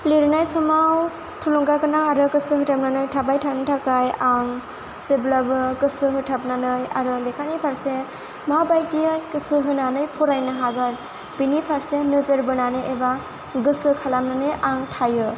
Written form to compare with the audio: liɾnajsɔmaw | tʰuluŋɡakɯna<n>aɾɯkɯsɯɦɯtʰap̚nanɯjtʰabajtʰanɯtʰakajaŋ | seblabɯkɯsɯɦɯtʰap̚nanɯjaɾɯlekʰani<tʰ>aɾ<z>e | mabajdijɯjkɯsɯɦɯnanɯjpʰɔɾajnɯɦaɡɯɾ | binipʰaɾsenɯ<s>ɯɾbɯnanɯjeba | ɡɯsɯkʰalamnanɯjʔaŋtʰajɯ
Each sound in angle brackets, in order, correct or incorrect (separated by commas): incorrect, incorrect, incorrect, incorrect